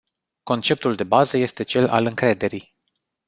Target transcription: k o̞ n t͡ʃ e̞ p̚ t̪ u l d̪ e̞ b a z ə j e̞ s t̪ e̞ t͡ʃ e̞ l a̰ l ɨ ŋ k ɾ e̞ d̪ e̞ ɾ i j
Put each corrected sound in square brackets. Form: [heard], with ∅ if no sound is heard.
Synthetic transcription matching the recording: k o̞ n t͡ʃ e̞ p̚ t̪ u l d̪ e̞ b a z ə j e̞ s t̪ e̞ t͡ʃ e̞ l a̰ l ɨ ŋ k ɾ e̞ d̪ e̞ ɾ i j